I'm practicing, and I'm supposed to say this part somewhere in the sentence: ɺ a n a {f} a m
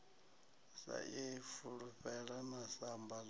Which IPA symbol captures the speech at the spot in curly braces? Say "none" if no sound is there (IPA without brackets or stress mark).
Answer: s